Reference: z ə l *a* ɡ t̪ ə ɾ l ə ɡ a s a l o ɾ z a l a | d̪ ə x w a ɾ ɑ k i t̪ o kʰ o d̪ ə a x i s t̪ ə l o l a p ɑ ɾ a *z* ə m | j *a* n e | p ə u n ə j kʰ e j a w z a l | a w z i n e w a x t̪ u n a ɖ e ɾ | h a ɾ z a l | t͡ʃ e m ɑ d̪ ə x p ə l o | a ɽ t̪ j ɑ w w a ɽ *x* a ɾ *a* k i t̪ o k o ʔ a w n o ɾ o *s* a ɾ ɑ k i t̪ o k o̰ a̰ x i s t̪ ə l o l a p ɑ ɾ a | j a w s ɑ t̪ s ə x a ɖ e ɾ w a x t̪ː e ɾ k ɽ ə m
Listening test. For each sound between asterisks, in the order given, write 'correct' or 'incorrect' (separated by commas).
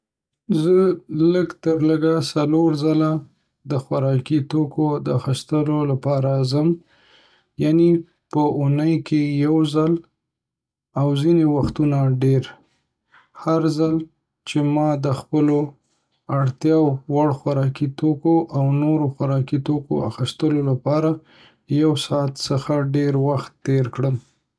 incorrect, correct, correct, correct, incorrect, incorrect